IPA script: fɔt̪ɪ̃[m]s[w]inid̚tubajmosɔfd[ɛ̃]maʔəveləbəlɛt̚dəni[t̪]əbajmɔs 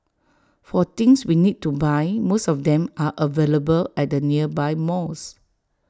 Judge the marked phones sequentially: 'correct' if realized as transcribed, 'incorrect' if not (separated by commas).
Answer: incorrect, correct, correct, incorrect